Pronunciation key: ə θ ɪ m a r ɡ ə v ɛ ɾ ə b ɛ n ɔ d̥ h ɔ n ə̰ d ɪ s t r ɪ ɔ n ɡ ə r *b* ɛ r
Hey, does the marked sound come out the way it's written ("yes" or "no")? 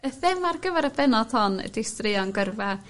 no